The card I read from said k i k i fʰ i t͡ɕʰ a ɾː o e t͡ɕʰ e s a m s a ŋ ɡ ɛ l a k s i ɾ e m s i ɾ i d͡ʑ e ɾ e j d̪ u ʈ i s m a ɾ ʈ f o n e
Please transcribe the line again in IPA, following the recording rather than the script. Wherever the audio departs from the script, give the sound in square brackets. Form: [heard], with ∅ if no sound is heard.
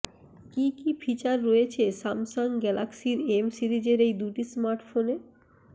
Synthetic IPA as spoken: k i k i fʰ i [t͡ɕ] a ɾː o e t͡ɕʰ e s a m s a ŋ ɡ ɛ l a k s i ɾ e m s i ɾ i d͡ʑ e ɾ e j d̪ u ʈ i s m a ɾ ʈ f o n e

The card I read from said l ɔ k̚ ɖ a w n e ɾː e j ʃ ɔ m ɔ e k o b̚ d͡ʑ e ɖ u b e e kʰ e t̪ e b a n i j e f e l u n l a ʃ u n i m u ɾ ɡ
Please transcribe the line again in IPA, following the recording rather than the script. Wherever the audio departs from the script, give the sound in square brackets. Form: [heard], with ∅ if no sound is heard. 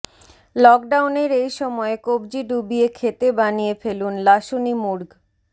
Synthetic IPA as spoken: l ɔ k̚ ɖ a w n e [ɾ] e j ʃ ɔ m ɔ e k o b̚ d͡ʑ [i] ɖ u b [i] e kʰ e t̪ e b a n i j e f e l u n l a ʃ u n i m u ɾ ɡ

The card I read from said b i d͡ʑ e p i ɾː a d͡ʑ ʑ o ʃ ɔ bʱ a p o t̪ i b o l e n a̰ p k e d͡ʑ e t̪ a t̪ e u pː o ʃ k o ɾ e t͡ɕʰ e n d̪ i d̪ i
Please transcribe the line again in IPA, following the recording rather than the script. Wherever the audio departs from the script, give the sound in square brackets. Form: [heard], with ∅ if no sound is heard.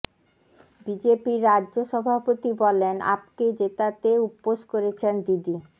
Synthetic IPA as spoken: b i d͡ʑ e p i ɾː a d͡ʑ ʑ o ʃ ɔ bʱ a p o t̪ i b [ɔ] l e n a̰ p k e d͡ʑ e t̪ a t̪ e u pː o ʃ k o ɾ e t͡ɕʰ e n d̪ i d̪ i

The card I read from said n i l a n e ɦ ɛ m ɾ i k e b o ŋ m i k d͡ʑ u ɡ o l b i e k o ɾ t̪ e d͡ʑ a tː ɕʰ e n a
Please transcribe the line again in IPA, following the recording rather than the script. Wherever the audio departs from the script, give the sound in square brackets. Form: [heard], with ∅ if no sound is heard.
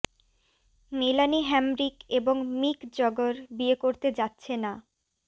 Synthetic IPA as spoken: [m] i l a n [i] ɦ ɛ m ɾ i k e b o ŋ m i k d͡ʑ [ɔ] ɡ o [ɾ] b i e k o ɾ t̪ e d͡ʑ a tː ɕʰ e n a

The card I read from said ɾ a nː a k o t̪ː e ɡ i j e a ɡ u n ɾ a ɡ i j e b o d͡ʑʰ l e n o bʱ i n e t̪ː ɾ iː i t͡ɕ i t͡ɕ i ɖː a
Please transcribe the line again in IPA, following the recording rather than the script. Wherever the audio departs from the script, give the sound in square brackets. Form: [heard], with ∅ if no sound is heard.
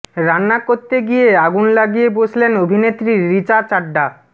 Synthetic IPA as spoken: ɾ a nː a k o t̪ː e ɡ i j e a ɡ u n [l] a ɡ i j e b o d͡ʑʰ l e n o bʱ i n e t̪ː ɾ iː i t͡ɕ [a] t͡ɕ [a] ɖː a

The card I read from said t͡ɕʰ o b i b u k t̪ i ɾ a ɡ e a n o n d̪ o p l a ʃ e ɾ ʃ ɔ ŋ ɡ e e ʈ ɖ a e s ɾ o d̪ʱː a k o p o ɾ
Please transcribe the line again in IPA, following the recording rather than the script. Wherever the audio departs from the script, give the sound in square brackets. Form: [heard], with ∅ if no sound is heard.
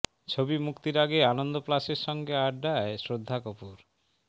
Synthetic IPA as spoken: t͡ɕʰ o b i [m] u k t̪ i ɾ a ɡ e a n o n d̪ o p l a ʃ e ɾ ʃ ɔ ŋ ɡ e [a] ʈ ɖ a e s ɾ o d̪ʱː a k o p [u] ɾ

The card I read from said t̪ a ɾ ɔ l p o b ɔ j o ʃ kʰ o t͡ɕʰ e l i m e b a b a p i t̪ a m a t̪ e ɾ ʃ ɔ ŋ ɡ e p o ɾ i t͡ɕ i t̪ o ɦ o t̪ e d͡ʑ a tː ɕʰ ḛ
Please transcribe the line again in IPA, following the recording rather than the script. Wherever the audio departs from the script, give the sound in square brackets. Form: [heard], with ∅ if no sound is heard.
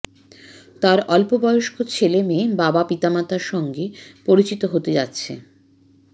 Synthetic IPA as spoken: t̪ a ɾ ɔ l p o b ɔ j o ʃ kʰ o t͡ɕʰ e l [e] m e b a b a p i t̪ a m a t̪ [a] ɾ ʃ ɔ ŋ ɡ e p o ɾ i t͡ɕ i t̪ o ɦ o t̪ e d͡ʑ a tː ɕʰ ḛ

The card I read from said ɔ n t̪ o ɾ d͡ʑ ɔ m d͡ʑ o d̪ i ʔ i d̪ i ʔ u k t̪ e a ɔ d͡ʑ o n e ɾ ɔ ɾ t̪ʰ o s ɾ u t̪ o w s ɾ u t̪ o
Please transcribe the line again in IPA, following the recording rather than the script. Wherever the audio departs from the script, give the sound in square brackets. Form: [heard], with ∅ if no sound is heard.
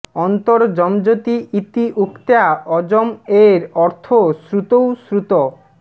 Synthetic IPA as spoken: ɔ n t̪ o ɾ d͡ʑ ɔ m d͡ʑ o [t̪] i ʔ i [t̪] i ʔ u k t̪ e a ɔ d͡ʑ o [m] e ɾ ɔ ɾ t̪ʰ o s ɾ u t̪ o w s ɾ u t̪ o

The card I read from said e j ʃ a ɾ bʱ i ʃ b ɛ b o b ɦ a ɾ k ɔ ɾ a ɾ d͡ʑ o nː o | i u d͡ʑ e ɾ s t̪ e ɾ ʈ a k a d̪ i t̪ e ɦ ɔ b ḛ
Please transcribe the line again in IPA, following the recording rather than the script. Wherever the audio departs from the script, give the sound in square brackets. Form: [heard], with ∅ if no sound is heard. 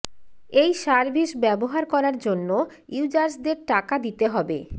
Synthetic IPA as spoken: e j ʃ a ɾ bʱ i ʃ b ɛ b o [∅] ɦ a ɾ k ɔ ɾ a ɾ d͡ʑ o nː o | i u d͡ʑ [a] ɾ s [d̪] e ɾ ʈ a k a d̪ i t̪ e ɦ ɔ b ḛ

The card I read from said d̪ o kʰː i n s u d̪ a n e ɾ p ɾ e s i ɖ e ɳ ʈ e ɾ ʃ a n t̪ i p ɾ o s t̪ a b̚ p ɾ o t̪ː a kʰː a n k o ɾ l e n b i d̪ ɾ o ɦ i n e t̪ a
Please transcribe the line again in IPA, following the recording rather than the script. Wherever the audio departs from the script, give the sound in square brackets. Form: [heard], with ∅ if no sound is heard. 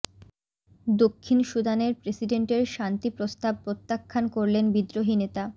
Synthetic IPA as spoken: d̪ o kʰː i n [ʃ] u d̪ a n e ɾ p ɾ e s i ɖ e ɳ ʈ e ɾ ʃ a n t̪ i p ɾ o s t̪ a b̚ p ɾ o t̪ː a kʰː a n k o ɾ l e n b i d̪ ɾ o ɦ i n e t̪ a

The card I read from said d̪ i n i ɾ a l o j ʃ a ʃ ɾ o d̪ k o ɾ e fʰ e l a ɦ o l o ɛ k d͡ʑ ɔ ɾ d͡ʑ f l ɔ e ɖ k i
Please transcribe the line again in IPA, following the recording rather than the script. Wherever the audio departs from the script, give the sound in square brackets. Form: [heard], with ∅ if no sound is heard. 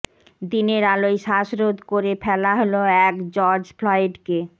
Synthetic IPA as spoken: d̪ i n [e] ɾ a l o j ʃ a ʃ ɾ o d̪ k o ɾ e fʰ [ɛ] l a ɦ o l o ɛ k d͡ʑ ɔ ɾ d͡ʑ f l ɔ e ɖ k [e]

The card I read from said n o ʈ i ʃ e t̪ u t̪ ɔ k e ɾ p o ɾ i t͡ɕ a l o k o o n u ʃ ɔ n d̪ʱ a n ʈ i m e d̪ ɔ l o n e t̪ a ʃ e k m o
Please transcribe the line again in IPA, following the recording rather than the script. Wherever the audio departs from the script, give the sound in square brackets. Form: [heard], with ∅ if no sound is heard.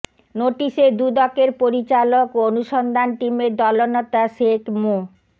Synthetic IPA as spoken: n o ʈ i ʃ e [d̪] u [d̪] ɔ k e ɾ p o ɾ i t͡ɕ a l o k o o n u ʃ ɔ n d̪ʱ a n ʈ i m e d̪ ɔ l o n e t̪ a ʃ e k m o

